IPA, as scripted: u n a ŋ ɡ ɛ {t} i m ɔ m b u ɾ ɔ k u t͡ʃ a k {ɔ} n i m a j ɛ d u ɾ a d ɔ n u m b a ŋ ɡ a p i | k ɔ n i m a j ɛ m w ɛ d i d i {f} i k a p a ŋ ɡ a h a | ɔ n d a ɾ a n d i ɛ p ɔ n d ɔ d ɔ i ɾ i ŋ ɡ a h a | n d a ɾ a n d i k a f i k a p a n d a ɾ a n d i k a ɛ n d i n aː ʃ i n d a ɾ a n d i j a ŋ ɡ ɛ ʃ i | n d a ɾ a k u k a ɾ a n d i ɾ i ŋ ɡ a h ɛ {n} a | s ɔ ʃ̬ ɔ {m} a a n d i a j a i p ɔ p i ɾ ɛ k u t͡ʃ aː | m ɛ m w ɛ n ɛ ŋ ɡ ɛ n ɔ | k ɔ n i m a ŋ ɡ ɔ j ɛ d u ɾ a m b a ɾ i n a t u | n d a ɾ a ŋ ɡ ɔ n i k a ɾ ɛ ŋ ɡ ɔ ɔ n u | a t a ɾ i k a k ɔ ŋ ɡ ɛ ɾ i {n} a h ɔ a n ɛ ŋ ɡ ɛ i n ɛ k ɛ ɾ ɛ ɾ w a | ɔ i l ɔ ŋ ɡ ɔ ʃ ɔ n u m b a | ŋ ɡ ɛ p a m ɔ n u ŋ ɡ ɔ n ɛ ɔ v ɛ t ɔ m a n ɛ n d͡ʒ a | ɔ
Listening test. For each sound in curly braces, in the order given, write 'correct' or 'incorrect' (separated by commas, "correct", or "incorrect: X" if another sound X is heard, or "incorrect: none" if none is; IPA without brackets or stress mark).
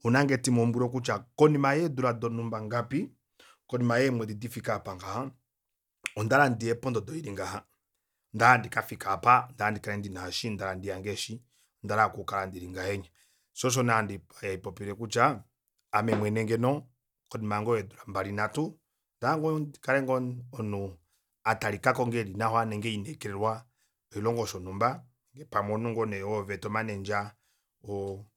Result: correct, correct, correct, incorrect: ɲ, incorrect: n, correct